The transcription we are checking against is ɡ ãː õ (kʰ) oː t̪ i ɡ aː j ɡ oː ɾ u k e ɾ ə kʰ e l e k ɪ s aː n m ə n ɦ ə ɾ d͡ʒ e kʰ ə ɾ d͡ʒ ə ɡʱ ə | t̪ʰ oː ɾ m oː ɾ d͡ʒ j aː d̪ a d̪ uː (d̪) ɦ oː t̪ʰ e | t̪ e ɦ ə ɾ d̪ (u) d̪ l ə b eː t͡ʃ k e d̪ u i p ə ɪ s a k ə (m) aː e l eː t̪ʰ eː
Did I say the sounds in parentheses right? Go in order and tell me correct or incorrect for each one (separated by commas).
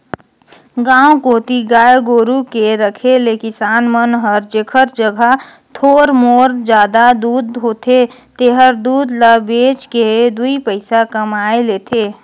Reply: incorrect, correct, incorrect, correct